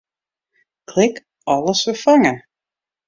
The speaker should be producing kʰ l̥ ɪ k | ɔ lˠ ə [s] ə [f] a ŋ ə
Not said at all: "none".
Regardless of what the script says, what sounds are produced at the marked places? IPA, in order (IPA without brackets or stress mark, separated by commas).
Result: s, f